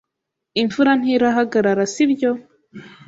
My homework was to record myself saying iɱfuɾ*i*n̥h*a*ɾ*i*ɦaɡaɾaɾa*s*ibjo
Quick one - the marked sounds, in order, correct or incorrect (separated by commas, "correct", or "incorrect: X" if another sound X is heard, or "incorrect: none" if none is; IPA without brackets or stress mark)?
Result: incorrect: a, incorrect: i, incorrect: a, correct